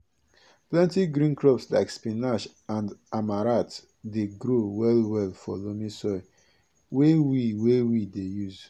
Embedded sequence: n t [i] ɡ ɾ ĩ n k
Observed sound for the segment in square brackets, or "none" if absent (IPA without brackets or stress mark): i